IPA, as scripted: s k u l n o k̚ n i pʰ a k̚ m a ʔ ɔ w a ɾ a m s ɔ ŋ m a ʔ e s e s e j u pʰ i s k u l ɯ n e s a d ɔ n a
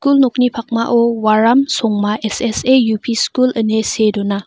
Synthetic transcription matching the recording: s k u l n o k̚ n i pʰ a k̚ m a ʔ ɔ w a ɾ a m s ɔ ŋ m a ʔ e s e s e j u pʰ i s k u l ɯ n e s e d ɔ n a